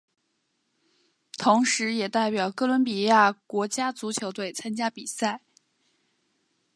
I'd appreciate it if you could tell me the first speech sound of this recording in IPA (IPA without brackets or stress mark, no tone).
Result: t̪ʰ